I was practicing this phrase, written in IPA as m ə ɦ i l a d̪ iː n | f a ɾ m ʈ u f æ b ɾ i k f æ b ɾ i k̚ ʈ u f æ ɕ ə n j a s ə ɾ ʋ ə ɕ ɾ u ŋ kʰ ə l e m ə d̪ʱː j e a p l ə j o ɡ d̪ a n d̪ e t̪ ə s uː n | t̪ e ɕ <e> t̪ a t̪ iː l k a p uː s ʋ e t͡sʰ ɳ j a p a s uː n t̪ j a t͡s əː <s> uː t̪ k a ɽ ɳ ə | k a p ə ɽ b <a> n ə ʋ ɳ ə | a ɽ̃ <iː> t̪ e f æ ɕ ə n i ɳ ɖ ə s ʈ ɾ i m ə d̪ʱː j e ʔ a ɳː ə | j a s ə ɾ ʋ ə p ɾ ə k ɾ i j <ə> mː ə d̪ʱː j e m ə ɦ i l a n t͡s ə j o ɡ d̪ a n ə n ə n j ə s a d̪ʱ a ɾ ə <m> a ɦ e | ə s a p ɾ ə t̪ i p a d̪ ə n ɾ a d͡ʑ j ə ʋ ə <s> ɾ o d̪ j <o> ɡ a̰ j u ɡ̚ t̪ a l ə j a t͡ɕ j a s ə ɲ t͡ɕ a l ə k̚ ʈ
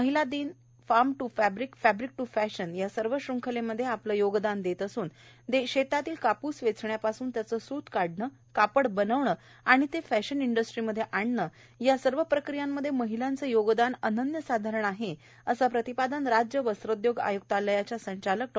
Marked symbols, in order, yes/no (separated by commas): yes, yes, no, no, no, no, yes, yes